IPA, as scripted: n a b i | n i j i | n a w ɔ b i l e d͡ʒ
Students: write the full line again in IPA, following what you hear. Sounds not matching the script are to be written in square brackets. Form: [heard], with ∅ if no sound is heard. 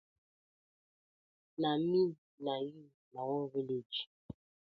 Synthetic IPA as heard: n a [m] i | n [a] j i | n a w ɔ [v] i l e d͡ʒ